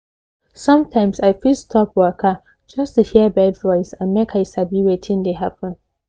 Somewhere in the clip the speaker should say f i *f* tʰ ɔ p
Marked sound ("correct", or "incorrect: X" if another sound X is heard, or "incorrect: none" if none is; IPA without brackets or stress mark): incorrect: s